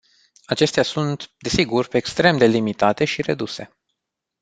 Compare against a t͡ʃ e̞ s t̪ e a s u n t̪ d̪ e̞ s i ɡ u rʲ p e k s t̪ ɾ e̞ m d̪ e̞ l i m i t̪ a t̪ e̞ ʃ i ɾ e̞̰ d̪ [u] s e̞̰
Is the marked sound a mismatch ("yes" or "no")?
no